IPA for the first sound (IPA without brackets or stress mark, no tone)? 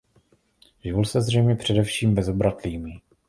ʒ